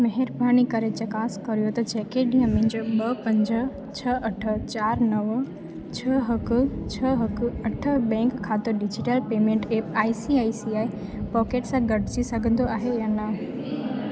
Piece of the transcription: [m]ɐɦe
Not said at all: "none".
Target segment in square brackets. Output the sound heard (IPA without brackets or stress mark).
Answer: m